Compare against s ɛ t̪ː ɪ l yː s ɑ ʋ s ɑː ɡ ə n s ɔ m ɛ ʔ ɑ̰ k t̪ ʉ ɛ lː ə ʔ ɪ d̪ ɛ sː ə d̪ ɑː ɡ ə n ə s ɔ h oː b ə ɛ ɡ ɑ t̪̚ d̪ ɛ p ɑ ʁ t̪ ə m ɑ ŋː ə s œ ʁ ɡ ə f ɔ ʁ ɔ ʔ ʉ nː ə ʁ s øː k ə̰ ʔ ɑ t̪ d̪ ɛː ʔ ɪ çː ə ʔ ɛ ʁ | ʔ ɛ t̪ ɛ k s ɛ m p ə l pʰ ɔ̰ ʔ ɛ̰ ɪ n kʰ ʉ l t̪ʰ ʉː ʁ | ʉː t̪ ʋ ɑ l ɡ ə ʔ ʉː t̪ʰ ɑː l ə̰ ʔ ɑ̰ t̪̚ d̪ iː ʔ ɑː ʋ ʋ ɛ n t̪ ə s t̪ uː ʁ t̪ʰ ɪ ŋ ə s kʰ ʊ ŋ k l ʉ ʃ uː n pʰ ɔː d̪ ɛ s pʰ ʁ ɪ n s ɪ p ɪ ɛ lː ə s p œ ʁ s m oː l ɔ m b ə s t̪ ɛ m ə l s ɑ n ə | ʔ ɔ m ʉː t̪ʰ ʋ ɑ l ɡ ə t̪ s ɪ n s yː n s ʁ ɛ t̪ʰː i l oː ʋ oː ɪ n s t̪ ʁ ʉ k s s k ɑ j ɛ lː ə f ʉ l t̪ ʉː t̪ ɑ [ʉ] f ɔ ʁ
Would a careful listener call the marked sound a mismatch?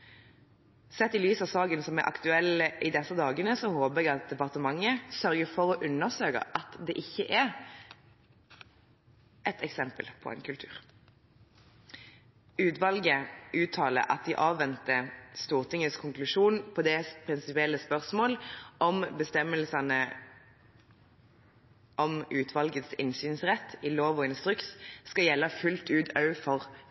no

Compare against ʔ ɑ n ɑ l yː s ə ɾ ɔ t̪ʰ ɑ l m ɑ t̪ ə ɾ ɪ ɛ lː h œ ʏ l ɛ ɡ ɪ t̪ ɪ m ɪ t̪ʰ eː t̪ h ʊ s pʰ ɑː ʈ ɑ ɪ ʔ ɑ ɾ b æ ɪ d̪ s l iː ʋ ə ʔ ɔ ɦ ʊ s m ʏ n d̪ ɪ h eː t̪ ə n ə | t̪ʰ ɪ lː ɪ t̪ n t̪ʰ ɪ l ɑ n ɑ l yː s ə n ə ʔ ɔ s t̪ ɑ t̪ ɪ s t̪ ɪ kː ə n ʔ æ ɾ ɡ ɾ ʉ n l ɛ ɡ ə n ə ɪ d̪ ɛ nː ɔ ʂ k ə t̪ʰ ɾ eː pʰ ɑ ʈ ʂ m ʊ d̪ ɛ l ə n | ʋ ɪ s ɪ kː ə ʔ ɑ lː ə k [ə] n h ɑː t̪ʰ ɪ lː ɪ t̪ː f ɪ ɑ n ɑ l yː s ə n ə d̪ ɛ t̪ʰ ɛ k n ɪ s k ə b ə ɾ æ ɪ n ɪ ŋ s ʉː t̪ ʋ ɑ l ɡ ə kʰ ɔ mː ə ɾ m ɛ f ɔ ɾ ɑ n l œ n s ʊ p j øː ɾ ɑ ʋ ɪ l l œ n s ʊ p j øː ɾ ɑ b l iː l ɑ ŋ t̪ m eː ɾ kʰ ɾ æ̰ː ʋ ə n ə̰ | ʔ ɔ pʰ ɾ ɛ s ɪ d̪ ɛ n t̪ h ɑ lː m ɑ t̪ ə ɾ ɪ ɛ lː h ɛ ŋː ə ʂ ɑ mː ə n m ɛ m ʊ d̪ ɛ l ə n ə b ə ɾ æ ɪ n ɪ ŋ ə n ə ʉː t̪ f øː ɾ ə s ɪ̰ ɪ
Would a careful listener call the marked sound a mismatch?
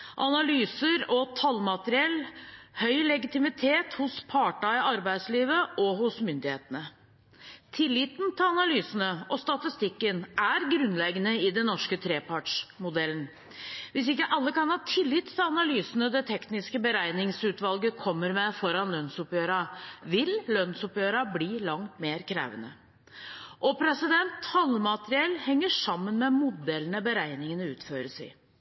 yes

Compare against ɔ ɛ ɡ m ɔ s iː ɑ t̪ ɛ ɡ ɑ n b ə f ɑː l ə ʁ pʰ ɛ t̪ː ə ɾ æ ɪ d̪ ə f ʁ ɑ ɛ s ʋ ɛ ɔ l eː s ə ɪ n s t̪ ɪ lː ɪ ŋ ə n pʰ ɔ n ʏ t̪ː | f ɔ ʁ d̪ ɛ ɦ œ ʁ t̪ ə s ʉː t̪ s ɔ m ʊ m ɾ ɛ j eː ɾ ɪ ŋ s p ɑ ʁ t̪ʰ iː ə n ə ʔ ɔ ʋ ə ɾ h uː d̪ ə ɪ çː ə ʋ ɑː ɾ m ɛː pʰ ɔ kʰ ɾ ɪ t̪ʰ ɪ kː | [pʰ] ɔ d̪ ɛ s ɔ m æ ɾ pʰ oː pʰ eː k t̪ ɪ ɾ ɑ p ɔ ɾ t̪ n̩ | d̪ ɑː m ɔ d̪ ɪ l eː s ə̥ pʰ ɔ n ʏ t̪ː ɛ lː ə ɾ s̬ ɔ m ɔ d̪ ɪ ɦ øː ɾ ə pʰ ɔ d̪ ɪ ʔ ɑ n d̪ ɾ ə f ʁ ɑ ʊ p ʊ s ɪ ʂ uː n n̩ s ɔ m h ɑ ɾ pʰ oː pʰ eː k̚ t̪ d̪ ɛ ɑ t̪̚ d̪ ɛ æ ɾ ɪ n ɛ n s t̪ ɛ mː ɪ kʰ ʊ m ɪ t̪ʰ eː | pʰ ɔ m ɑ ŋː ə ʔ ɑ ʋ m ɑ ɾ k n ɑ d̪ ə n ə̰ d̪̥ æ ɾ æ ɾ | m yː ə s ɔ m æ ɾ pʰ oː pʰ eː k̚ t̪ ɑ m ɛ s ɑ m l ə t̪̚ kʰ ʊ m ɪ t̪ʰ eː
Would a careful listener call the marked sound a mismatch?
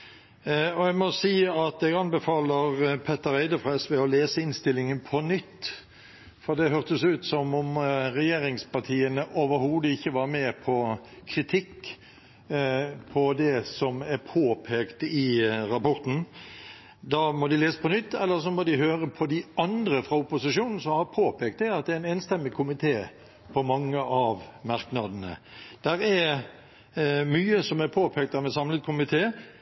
no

